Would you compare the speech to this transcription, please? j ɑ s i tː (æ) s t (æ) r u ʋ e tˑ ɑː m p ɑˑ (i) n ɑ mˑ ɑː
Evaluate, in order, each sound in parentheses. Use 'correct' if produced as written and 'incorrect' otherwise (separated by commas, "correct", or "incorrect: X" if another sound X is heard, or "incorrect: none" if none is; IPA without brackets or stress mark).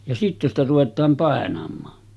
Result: incorrect: e, correct, incorrect: e